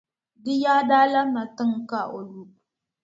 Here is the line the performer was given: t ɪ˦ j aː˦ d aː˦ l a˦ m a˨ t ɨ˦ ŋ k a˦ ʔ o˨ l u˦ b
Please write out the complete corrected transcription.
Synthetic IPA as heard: d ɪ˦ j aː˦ d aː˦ l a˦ m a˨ t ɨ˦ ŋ k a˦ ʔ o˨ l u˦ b